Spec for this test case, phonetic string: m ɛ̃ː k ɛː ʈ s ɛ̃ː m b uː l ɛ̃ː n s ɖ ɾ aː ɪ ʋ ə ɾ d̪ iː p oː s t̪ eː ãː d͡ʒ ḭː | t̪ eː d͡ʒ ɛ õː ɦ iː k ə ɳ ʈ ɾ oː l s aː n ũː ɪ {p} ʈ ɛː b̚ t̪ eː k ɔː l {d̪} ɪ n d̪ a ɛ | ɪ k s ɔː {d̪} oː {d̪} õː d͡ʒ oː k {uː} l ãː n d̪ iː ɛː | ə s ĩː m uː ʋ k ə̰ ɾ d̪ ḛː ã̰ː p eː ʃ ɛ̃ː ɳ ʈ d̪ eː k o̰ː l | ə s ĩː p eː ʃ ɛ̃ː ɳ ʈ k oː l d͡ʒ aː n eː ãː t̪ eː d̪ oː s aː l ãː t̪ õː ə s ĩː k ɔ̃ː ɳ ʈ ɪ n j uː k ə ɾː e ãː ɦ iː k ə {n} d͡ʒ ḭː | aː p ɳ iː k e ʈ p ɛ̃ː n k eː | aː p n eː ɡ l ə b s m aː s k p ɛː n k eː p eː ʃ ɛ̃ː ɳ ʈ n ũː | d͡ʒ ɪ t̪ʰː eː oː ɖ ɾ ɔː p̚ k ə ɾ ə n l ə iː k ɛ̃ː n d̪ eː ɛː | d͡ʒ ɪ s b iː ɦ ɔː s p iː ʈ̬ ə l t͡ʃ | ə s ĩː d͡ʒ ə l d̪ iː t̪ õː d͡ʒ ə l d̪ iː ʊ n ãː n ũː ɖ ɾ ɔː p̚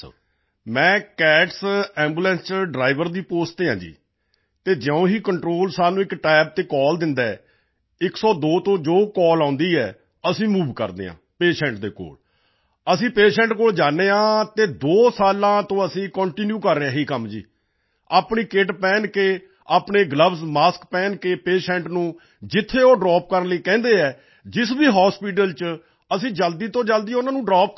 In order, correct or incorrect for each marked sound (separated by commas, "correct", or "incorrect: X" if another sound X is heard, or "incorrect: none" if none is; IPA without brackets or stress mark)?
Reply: incorrect: k, correct, correct, incorrect: t̪, incorrect: ɔː, incorrect: m